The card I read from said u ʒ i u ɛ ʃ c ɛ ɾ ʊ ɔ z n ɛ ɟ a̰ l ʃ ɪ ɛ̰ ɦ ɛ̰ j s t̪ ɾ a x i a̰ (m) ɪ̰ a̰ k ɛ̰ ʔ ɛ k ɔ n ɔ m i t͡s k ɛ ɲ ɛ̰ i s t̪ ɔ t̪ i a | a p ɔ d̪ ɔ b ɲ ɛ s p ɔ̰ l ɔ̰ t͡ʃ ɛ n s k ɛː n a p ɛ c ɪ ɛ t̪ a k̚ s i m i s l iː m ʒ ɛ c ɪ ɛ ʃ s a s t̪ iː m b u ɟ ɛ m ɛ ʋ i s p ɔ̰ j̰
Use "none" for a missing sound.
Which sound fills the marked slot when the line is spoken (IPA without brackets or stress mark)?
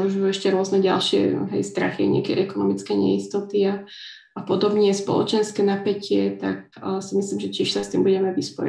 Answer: ɲ